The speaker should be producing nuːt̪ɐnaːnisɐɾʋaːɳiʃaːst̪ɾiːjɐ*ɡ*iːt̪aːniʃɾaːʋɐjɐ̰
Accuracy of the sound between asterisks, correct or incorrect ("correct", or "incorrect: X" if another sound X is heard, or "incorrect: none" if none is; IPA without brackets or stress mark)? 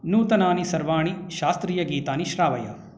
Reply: correct